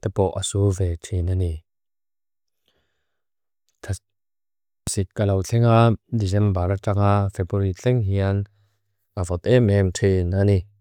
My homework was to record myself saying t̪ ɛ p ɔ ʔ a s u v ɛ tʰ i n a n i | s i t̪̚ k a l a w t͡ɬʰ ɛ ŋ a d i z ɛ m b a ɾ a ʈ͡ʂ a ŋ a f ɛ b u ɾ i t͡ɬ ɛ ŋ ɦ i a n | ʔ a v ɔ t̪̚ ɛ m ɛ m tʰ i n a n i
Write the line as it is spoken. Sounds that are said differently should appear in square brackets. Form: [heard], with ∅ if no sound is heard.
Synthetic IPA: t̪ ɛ p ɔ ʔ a s u v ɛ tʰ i n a n i | s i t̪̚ k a l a w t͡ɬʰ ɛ ŋ a d i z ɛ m b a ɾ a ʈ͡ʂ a ŋ a f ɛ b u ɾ i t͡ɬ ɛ ŋ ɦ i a n | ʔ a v ɔ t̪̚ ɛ m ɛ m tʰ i n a n i